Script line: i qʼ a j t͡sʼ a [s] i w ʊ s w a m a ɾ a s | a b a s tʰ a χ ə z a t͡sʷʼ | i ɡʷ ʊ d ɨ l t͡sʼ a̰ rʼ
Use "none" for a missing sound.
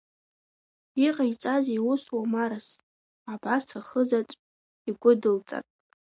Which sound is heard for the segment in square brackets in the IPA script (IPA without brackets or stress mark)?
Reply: z